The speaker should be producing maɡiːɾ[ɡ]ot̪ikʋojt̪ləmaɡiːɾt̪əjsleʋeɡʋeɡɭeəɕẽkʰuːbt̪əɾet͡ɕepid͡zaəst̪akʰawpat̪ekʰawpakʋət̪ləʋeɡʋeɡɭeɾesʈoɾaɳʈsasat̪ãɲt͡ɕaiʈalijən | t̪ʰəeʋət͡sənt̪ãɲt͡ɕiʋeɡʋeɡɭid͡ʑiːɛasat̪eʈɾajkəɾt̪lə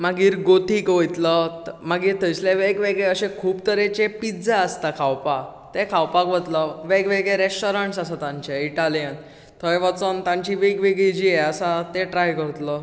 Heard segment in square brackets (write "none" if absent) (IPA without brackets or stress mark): ɡ